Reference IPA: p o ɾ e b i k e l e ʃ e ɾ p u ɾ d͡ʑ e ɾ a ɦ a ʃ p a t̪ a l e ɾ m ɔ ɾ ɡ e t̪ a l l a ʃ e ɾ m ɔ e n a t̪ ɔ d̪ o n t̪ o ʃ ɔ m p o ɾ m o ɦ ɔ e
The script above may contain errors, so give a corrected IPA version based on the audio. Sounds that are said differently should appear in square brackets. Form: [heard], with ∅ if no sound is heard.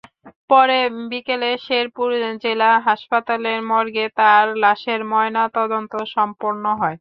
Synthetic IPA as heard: p [ɔ] ɾ e b i k e l e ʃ e ɾ p u ɾ d͡ʑ e [l] a ɦ a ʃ p a t̪ a l e ɾ m ɔ ɾ ɡ e t̪ a [ɾ] l a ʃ e ɾ m ɔ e n a t̪ ɔ d̪ o n t̪ o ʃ ɔ m p o ɾ [n] o ɦ ɔ e